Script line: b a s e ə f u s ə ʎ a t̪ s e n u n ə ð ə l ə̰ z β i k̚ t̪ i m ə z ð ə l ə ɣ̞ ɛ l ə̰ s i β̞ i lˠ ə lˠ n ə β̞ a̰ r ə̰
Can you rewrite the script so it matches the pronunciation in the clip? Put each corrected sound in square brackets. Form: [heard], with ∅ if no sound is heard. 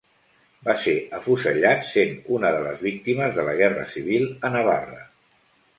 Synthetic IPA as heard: b a s e ə f u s ə ʎ a t̪ s e n u n ə ð ə l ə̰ z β i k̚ t̪ i m ə z ð ə l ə ɣ̞ ɛ [r] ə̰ s i β̞ i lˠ ə [∅] n ə β̞ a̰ r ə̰